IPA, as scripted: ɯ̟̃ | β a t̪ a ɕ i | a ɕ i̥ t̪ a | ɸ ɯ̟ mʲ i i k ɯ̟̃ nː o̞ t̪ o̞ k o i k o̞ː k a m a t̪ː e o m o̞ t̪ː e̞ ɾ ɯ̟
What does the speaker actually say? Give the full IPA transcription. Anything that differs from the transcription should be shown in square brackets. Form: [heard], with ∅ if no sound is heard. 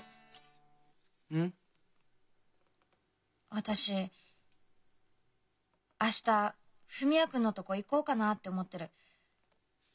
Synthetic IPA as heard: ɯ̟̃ | β a t̪ a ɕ i | a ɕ i̥ t̪ a | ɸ ɯ̟ mʲ i [a] k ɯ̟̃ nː o̞ t̪ o̞ k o i k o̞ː k a [n] a t̪ː e o m o̞ t̪ː e̞ ɾ ɯ̟